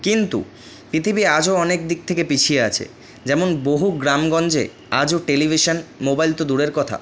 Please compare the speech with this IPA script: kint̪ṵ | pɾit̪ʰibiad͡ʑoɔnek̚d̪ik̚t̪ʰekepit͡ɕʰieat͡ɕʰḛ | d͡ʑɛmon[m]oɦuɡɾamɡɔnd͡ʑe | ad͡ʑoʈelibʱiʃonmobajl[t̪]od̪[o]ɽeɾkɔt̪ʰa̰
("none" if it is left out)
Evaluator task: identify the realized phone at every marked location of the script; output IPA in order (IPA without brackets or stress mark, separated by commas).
b, t̪, u